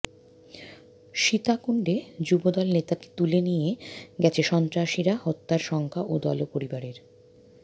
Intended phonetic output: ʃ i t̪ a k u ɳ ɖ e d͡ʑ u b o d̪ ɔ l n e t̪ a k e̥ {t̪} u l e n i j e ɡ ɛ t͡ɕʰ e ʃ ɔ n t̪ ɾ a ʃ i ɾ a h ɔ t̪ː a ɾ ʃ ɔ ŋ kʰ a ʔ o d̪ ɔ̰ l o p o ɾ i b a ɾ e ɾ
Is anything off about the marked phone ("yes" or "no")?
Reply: no